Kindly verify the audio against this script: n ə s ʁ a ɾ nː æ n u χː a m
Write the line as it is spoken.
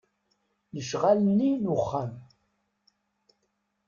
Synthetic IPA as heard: n ə ʃ ʁ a l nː i n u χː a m